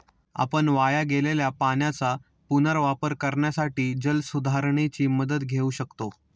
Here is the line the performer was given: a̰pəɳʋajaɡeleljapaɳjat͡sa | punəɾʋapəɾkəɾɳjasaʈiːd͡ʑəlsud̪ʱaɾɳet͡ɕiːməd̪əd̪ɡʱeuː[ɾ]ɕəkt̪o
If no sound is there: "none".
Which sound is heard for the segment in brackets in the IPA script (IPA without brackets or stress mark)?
none